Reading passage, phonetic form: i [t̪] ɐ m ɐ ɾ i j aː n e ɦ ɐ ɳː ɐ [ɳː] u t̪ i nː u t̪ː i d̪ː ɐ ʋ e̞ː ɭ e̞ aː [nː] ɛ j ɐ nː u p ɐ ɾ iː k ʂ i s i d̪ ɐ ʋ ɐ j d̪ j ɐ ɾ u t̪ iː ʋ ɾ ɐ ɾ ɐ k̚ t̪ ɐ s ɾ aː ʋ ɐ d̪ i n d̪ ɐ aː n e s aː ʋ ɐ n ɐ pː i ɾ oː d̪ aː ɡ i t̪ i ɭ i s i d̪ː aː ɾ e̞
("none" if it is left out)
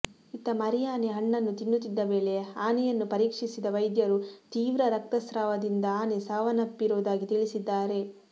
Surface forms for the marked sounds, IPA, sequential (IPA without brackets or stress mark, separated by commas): t̪, nː, n